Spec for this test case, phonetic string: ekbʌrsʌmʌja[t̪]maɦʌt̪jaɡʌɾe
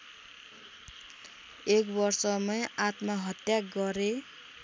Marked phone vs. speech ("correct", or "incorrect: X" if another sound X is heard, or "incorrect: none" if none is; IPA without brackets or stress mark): correct